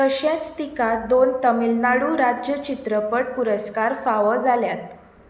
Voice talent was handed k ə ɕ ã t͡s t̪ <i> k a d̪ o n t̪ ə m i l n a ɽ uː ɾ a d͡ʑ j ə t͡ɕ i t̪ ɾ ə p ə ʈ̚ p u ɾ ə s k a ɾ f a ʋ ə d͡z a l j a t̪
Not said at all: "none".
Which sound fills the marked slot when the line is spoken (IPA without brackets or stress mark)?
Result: i